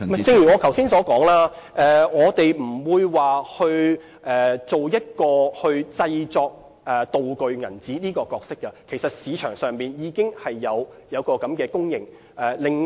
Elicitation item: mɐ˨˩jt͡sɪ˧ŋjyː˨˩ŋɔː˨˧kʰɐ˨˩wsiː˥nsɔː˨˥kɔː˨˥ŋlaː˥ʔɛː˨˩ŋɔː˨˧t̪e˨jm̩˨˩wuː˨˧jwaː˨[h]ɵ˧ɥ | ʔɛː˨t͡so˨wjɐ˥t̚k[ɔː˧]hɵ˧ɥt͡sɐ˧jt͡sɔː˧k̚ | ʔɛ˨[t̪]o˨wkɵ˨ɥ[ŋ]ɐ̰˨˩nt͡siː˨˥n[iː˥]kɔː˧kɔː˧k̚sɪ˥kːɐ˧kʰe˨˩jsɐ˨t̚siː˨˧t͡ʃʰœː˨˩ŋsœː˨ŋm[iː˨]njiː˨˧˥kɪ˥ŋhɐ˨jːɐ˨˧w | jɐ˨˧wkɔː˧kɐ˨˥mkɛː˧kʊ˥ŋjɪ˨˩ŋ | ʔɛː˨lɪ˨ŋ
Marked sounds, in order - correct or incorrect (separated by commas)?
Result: correct, correct, correct, correct, correct, correct